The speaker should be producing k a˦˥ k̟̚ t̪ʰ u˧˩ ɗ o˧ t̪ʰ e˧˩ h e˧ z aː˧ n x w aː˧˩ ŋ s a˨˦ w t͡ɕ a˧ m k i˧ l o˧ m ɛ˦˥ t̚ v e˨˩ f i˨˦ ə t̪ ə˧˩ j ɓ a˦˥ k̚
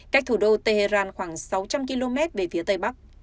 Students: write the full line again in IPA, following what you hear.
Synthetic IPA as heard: k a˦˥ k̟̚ t̪ʰ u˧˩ ɗ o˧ t̪ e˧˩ h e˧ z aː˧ n x w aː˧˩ ŋ s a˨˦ w t͡ɕ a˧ m k i˧ l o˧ m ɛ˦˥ t̚ v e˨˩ f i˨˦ ə t̪ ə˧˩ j ɓ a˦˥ k̚